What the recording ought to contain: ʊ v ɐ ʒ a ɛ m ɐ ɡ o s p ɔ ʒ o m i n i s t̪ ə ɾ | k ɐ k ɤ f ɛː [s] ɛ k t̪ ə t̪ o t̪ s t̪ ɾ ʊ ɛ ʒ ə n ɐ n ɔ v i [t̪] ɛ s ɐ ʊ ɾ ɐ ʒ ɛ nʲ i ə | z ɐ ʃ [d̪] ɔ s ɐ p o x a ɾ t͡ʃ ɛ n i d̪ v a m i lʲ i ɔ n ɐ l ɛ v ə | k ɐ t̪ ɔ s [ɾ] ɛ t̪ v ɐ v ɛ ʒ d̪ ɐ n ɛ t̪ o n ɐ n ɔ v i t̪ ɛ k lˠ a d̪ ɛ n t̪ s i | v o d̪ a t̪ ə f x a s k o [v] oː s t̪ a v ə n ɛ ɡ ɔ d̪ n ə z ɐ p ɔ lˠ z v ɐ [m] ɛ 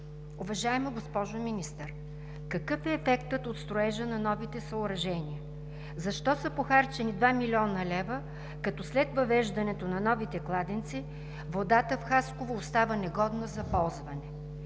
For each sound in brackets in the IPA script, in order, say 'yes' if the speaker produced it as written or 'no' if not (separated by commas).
no, yes, no, no, yes, no